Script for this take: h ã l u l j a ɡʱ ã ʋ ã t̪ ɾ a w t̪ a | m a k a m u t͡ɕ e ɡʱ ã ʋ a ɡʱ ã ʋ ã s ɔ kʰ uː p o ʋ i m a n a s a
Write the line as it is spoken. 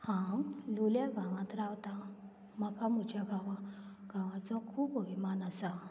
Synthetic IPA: h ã l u l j a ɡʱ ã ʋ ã t̪ ɾ a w t̪ a | m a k a m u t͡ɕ a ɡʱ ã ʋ a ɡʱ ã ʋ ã t͡s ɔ kʰ uː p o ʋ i m a n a s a